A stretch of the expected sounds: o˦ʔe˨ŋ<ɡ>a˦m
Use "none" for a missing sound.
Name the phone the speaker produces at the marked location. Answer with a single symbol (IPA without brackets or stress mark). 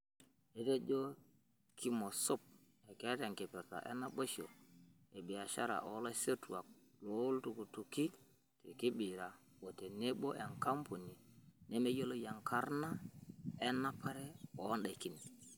k